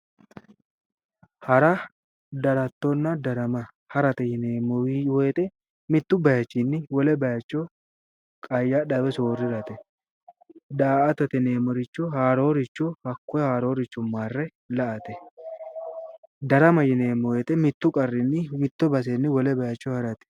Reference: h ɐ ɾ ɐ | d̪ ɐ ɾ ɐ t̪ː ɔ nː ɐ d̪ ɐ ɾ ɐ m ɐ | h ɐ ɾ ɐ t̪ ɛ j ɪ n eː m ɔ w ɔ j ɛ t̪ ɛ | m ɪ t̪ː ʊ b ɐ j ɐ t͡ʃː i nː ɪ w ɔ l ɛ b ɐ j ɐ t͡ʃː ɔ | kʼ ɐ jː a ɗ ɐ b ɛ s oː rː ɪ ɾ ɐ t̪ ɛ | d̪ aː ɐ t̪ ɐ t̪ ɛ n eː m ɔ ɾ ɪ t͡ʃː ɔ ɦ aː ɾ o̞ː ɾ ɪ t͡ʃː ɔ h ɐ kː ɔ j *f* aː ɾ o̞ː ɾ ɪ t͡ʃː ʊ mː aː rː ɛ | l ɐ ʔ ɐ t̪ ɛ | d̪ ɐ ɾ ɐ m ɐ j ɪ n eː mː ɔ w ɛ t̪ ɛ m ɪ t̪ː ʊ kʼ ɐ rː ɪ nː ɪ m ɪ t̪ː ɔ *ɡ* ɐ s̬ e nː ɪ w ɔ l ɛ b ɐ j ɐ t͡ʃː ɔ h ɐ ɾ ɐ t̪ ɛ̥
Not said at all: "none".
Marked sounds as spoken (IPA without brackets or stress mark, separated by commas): h, b